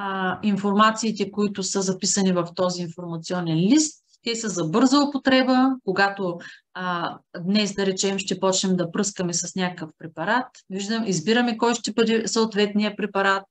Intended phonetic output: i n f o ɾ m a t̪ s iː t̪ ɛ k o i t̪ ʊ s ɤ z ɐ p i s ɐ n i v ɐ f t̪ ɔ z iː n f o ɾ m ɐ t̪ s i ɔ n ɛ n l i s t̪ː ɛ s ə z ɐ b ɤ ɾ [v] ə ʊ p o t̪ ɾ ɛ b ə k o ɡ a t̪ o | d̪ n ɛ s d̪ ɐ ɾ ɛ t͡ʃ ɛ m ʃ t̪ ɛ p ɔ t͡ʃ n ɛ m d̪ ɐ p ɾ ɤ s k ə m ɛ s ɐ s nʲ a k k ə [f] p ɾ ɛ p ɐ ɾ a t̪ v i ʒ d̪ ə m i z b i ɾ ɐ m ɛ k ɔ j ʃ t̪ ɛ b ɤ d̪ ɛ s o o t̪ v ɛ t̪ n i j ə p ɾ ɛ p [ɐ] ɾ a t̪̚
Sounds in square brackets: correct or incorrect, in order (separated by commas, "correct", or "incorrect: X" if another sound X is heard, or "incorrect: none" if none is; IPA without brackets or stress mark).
incorrect: z, correct, correct